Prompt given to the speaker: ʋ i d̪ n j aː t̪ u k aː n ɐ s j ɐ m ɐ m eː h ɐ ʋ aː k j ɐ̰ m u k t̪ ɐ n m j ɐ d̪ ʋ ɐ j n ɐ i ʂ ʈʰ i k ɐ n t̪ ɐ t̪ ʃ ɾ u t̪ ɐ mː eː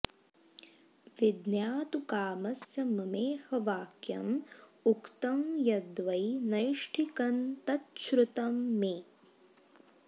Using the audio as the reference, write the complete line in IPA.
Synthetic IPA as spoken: ʋ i d̪ n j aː t̪ u k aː m ɐ s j ɐ m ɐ m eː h ɐ ʋ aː k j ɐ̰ m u k t̪ ɐ m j ɐ d̪ ʋ ɐ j n ɐ j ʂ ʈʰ i k ɐ n t̪ ɐ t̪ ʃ ɾ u t̪ ɐ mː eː